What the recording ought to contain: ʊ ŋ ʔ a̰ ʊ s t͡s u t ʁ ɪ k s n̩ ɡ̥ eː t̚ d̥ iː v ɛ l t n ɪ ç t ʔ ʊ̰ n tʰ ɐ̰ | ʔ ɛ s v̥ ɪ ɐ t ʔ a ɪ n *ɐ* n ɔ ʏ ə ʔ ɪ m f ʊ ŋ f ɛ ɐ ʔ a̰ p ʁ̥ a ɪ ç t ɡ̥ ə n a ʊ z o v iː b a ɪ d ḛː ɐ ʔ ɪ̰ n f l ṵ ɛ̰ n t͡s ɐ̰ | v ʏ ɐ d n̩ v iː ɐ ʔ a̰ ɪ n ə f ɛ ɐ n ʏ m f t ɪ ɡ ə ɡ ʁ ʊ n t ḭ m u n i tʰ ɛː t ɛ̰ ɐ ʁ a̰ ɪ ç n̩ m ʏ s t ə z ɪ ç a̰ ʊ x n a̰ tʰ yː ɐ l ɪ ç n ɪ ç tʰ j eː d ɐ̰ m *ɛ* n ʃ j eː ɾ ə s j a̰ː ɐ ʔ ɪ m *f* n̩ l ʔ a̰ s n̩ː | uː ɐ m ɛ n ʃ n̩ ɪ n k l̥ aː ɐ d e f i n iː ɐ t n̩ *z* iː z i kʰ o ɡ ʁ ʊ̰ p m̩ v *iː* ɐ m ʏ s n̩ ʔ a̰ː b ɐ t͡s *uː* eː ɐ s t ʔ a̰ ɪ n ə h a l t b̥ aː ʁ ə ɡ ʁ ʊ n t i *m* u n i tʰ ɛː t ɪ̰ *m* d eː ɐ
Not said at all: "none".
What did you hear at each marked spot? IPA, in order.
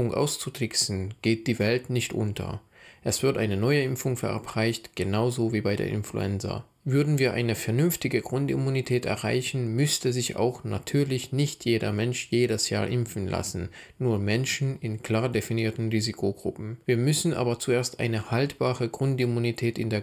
ə, ɛ, f, ʁ, iː, u, m, n

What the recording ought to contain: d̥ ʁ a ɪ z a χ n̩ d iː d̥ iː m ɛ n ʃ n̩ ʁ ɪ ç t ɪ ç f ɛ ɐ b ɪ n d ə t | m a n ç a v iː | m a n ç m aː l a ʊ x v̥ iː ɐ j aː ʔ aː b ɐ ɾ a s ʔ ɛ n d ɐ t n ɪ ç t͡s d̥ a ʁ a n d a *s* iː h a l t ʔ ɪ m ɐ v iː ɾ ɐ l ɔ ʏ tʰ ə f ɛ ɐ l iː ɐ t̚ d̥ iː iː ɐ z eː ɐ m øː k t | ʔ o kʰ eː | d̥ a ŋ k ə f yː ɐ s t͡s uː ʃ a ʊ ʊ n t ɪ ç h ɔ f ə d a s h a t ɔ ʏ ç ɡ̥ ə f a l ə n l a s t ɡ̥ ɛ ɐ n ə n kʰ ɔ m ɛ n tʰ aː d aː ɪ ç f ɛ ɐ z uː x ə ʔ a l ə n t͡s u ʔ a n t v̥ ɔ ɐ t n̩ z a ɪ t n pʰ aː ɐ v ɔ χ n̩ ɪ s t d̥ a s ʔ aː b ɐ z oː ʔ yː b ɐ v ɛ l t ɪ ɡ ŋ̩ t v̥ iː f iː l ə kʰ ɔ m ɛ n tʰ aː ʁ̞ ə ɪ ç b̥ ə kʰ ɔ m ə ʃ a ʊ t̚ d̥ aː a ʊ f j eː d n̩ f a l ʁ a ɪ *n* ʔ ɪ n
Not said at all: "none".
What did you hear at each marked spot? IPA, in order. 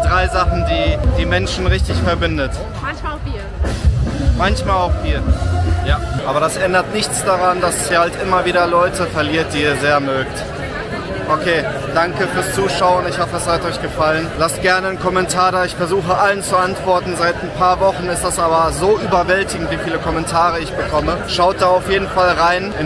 s, n

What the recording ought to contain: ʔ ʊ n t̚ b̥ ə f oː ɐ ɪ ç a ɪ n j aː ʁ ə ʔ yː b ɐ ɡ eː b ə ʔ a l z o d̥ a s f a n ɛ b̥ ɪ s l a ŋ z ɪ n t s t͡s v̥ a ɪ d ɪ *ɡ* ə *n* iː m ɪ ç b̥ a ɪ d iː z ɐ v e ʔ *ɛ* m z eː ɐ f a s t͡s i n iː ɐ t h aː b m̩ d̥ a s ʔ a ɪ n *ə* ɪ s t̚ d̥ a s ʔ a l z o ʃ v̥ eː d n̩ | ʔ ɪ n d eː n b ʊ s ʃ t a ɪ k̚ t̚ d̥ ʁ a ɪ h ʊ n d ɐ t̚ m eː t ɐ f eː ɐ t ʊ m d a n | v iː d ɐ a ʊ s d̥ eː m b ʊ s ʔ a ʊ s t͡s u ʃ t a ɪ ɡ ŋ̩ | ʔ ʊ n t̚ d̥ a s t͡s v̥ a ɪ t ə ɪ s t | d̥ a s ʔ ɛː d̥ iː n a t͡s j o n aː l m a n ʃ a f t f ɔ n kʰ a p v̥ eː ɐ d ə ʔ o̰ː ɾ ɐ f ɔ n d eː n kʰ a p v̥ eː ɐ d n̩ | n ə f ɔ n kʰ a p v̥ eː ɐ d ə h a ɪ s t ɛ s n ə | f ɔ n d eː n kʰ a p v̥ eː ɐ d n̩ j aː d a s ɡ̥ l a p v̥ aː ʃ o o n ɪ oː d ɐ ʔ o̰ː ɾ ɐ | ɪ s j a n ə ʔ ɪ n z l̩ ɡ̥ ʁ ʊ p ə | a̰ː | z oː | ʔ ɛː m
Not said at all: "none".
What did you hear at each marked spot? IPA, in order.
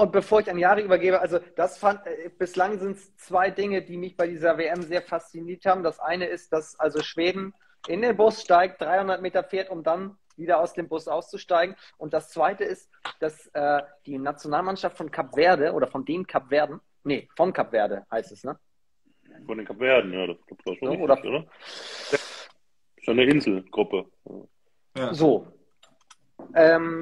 ŋ, d, ɛ, ə

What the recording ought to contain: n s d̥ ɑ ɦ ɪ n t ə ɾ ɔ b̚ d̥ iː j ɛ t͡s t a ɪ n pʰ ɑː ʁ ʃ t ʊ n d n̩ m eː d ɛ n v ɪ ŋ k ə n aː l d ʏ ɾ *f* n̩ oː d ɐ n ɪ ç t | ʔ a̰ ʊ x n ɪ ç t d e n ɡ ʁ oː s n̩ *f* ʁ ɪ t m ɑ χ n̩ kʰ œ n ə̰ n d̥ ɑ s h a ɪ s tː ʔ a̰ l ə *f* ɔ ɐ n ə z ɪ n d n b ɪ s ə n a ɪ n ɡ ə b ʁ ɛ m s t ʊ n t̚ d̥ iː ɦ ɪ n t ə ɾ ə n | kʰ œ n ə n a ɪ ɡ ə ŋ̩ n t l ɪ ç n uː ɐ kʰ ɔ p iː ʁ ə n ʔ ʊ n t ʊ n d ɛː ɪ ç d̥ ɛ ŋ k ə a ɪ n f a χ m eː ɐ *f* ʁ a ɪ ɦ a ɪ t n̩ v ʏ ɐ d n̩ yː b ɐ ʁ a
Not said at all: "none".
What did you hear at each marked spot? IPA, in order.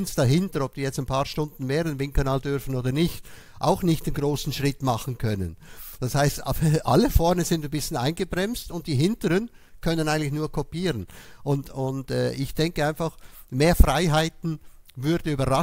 f, ʃ, f, f

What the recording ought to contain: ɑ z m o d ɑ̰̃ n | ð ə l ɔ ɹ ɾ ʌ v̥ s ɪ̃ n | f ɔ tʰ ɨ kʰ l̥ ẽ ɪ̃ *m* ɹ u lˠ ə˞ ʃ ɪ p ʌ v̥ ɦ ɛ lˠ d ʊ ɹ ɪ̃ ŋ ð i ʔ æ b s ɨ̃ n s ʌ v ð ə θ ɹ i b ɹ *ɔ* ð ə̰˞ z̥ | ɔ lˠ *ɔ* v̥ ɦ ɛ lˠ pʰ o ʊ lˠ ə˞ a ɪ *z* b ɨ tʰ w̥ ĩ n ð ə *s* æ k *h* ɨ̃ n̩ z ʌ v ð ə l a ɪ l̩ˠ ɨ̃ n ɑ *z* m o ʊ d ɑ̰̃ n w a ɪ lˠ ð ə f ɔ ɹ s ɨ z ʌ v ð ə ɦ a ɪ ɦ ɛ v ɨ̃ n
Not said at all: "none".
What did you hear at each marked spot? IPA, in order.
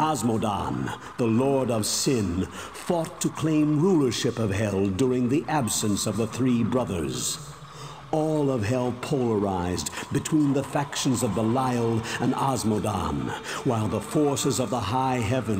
m, ʌ, ʌ, z, f, ʃ, z

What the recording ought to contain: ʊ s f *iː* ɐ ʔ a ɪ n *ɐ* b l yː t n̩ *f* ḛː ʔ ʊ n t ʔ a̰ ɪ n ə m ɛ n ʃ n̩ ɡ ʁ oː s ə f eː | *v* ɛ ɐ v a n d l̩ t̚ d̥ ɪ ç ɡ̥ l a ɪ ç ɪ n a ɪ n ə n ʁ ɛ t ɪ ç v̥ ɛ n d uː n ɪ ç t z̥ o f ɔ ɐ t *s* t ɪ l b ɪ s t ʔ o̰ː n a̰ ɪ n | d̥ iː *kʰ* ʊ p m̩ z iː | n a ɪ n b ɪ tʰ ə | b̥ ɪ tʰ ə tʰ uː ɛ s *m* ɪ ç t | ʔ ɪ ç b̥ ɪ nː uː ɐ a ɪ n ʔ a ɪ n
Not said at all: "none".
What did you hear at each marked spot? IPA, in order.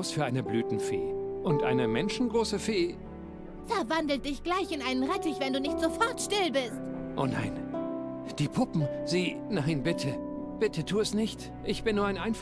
yː, ə, f, f, ʃ, pʰ, n

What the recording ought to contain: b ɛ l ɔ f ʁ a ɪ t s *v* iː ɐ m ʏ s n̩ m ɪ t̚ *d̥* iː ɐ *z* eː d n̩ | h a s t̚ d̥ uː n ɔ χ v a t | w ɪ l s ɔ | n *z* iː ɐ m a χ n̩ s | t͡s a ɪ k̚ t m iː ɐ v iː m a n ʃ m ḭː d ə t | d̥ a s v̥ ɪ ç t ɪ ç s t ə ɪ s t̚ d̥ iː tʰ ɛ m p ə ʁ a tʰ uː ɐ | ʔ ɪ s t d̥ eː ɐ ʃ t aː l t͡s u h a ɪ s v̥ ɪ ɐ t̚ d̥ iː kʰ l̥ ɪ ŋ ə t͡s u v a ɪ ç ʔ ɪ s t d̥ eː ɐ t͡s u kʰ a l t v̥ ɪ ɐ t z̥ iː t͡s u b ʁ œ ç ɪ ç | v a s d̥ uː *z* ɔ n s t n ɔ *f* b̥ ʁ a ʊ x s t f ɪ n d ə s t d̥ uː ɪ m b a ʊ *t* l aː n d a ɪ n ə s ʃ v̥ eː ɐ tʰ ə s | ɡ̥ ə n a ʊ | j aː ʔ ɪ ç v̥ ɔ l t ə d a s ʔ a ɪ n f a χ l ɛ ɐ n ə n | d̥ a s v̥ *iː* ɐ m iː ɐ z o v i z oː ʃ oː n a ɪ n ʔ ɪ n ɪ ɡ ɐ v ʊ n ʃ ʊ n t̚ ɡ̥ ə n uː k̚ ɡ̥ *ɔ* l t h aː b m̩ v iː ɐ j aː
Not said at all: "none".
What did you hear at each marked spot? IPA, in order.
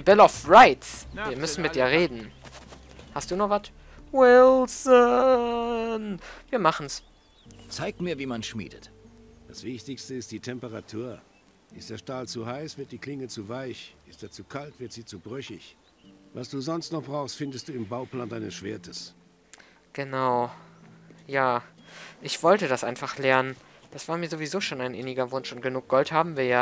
v, d̥, ʁ, v, z, χ, p, aː, ɔ

